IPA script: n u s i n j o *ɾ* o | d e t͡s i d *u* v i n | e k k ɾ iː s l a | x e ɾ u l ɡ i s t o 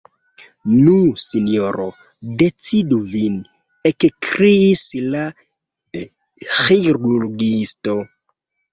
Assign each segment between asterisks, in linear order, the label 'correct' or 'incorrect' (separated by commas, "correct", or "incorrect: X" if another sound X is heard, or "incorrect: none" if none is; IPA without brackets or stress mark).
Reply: correct, correct